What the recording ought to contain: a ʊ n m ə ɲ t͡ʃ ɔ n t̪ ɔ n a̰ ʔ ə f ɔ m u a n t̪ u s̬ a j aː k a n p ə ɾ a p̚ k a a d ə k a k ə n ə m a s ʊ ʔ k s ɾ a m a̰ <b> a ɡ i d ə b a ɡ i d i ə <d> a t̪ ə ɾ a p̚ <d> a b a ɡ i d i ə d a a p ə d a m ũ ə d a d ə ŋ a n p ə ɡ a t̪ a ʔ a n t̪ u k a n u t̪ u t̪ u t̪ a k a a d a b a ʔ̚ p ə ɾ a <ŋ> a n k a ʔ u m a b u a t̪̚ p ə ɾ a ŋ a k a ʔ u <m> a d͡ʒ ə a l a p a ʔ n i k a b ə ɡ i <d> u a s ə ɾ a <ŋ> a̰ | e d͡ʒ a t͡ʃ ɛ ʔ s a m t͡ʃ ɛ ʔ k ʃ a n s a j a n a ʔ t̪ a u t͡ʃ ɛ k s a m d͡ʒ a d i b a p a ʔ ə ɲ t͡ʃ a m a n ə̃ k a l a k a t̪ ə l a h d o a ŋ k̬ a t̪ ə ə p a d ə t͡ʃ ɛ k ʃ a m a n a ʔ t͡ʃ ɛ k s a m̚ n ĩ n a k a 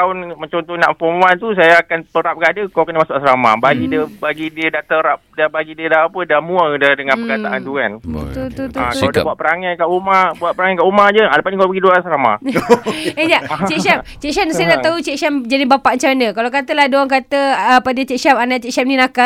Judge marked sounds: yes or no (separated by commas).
yes, yes, yes, yes, yes, yes, no